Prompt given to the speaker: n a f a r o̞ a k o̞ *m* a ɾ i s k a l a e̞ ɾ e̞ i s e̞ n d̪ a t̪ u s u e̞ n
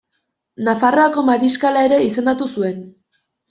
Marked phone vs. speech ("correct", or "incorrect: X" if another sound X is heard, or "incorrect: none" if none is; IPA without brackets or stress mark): correct